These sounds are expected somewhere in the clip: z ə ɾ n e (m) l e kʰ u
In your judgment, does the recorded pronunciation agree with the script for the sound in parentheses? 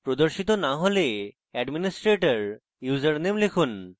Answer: yes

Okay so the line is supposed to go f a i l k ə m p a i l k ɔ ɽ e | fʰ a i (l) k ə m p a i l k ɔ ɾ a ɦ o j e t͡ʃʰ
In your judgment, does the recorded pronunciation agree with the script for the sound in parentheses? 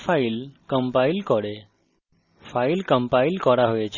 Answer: yes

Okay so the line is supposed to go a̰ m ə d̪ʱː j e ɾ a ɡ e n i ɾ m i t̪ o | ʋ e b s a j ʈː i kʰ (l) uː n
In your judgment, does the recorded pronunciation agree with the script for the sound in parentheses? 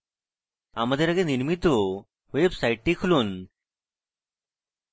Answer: yes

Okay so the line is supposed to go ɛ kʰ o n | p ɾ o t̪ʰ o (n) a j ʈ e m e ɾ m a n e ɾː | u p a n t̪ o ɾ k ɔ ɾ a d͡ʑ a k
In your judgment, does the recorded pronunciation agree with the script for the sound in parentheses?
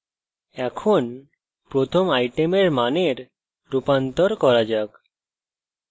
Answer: no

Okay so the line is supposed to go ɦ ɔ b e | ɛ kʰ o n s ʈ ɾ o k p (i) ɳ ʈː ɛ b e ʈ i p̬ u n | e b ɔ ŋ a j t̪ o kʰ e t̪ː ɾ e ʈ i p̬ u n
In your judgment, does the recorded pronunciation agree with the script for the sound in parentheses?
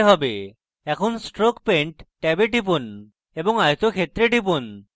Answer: no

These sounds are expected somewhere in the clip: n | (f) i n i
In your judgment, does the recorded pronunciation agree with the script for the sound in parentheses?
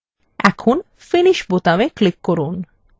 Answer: yes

